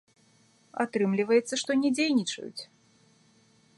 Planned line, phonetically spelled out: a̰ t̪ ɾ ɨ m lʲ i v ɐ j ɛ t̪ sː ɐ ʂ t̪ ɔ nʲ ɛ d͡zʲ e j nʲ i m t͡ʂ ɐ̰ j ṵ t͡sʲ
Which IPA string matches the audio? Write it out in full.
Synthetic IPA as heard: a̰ t̪ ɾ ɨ m lʲ i v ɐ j ɛ t̪ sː ɐ ʂ t̪ ɔ nʲ ɛ d͡zʲ e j nʲ i t͡ʂ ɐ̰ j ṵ t͡sʲ